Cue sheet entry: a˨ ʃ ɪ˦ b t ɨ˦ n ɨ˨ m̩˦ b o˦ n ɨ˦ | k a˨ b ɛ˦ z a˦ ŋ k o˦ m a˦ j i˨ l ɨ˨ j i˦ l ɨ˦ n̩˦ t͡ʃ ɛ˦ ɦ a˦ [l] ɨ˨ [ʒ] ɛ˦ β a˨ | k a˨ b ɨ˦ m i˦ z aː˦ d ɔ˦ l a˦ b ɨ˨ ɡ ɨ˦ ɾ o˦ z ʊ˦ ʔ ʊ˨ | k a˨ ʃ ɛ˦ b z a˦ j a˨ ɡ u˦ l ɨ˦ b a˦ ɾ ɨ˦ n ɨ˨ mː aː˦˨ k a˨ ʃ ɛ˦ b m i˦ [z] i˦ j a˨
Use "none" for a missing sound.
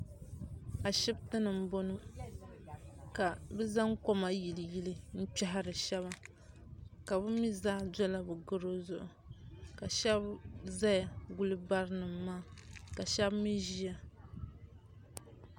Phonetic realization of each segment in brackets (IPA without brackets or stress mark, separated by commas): ɾ, ʃ, ʒ